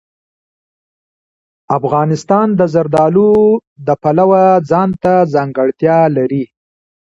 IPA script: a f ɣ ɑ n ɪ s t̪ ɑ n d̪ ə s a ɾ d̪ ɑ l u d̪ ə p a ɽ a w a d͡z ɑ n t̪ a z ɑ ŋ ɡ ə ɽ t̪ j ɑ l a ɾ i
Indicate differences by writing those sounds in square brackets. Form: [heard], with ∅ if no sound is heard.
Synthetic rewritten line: a f ɣ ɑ n ɪ s t̪ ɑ n d̪ ə [z] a ɾ d̪ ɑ l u d̪ ə p a [l] a w a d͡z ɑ n t̪ a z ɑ ŋ ɡ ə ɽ t̪ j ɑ l a ɾ i